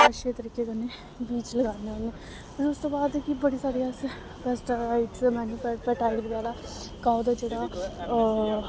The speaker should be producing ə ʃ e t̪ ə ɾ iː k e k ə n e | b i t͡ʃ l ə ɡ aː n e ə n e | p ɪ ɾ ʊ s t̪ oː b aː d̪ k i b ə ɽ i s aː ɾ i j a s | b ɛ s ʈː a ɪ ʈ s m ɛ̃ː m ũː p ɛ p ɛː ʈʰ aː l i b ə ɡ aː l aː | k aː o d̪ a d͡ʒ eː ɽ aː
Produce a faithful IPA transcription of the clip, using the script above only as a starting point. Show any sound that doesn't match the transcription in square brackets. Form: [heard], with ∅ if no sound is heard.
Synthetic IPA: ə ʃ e t̪ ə ɾ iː k e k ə n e | b [iː] t͡ʃ l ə ɡ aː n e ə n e | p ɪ ɾ ʊ s t̪ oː b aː d̪ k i b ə ɽ i s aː ɾ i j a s | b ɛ s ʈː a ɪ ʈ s m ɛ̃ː [n] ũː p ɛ p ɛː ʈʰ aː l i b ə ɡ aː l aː | k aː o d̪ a d͡ʒ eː ɽ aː